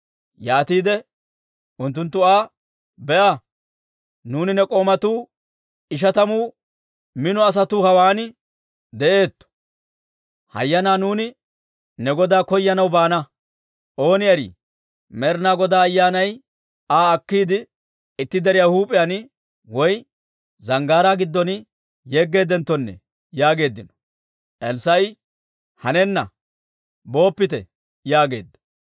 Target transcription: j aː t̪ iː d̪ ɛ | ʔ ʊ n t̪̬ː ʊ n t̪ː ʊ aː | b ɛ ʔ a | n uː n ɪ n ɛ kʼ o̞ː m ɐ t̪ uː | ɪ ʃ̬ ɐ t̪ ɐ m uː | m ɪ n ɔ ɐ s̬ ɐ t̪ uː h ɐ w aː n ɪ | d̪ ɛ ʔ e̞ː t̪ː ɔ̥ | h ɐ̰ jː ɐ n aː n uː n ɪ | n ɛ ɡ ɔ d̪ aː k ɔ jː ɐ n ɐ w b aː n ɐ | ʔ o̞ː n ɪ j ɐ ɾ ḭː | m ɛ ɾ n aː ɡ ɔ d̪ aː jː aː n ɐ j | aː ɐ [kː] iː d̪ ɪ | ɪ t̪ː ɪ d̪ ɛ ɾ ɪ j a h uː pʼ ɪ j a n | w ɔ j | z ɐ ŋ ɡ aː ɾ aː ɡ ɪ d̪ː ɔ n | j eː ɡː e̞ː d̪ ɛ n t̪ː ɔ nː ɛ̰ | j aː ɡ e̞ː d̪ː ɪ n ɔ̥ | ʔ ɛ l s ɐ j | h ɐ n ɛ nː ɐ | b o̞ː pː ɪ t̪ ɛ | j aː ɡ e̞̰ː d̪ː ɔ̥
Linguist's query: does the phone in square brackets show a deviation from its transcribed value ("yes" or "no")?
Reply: no